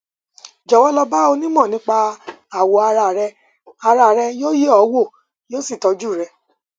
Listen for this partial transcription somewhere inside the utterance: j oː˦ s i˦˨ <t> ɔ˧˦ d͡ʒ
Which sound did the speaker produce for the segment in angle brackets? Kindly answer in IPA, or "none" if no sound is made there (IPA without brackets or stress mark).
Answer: t